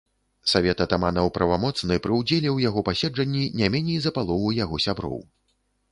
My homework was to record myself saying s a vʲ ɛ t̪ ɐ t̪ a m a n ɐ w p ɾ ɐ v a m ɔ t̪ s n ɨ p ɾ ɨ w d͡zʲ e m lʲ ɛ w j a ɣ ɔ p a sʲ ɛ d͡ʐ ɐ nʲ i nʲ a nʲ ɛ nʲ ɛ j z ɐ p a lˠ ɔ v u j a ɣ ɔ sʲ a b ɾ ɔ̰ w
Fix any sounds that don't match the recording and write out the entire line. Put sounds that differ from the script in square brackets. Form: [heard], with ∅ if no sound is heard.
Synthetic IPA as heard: s a vʲ ɛ t̪ ɐ t̪ a m a n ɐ w p ɾ ɐ v a m ɔ t̪ s n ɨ p ɾ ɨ w d͡zʲ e [∅] lʲ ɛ w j a ɣ ɔ p a sʲ ɛ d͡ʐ ɐ [nʲː] i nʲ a [mʲ] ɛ nʲ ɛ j z ɐ p a lˠ ɔ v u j a ɣ ɔ sʲ a b ɾ ɔ̰ w